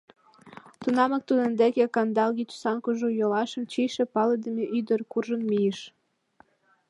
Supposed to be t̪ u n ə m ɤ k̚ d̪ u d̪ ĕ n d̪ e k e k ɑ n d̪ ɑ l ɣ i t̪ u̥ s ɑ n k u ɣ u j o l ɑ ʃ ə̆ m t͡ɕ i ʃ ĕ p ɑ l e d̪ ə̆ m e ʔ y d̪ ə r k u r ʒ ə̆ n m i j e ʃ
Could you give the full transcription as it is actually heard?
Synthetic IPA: t̪ u n ɑ m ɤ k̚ t̪ u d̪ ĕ n d̪ e k e k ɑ n d̪ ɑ l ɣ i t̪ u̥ s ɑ n k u ʒ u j o l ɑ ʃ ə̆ m t͡ɕ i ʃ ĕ p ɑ l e d̪ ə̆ m e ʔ y d̪ ə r k u r ʒ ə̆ n m i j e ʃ